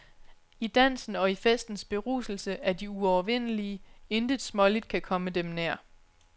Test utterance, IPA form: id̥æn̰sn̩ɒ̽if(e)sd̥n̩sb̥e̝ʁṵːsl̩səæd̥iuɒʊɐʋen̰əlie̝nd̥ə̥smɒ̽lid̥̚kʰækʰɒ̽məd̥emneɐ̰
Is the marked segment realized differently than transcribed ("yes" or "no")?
no